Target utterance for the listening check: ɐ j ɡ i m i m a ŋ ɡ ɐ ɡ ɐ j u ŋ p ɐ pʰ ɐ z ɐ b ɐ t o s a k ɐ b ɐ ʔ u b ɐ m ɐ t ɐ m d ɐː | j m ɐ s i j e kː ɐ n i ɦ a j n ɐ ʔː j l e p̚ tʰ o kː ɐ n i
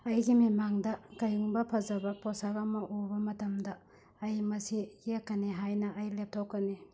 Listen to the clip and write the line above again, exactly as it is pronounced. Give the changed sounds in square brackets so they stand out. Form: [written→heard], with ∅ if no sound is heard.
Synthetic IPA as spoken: ɐ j ɡ i m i m a ŋ [ɡ→d] ɐ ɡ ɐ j u ŋ [p→b] ɐ pʰ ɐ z ɐ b ɐ [t→p] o s a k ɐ [b→m] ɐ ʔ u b ɐ m ɐ t ɐ m d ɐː | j m ɐ s i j e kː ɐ n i ɦ a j n ɐ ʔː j l e p̚ tʰ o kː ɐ n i